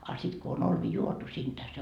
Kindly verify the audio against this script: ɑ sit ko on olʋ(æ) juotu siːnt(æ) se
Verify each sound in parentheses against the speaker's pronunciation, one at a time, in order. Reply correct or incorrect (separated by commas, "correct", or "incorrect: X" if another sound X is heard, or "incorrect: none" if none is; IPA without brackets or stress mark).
incorrect: i, correct